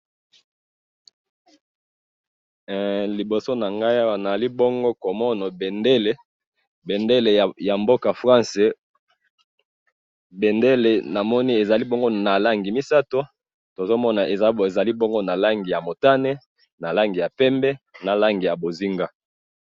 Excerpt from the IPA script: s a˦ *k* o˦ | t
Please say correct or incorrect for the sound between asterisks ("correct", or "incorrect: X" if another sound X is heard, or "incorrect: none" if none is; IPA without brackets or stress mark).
incorrect: t